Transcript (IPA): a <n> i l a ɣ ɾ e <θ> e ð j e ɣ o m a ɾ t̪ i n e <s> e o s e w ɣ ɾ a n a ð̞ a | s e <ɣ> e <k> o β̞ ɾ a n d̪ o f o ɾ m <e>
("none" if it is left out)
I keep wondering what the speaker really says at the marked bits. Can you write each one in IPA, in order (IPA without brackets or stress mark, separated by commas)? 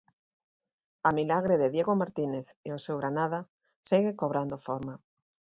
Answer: m, ð, θ, ɣ, k, a